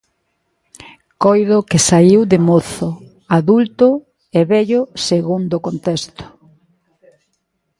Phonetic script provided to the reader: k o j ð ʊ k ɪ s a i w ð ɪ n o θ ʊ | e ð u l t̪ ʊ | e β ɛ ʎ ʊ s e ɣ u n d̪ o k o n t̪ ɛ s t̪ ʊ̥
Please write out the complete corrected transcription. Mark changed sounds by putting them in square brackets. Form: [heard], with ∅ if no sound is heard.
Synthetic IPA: k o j ð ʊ k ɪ s a i w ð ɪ [m] o θ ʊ | [a] ð u l t̪ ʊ | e β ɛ ʎ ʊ s e ɣ u n d̪ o k o n t̪ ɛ s t̪ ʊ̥